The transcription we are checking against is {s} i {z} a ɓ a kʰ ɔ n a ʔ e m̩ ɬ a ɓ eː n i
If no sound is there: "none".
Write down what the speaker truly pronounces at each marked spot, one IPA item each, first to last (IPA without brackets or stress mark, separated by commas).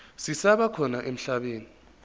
s, s